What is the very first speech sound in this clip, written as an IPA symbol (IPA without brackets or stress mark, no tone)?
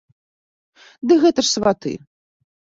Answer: d̪